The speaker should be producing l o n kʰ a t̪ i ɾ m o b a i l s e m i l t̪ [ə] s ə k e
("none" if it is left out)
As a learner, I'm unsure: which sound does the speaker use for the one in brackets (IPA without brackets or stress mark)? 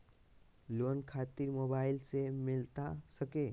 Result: a